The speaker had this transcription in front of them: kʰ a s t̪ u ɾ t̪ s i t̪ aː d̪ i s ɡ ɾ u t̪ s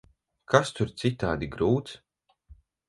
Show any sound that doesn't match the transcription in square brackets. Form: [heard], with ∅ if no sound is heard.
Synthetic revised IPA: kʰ a s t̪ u ɾ t̪ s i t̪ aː d̪ i [∅] ɡ ɾ [uː] t̪ s